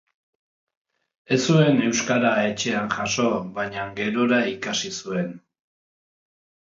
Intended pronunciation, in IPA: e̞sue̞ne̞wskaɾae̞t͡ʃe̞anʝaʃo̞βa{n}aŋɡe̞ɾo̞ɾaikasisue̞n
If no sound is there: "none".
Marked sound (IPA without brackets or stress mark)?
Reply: ɲ